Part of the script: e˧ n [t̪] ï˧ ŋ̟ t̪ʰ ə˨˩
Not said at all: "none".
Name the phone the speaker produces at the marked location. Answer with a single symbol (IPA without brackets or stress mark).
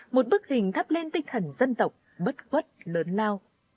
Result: t̪